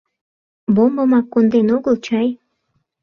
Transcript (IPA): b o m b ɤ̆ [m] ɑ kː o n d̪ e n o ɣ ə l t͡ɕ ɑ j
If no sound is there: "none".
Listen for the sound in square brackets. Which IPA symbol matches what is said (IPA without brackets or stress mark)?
m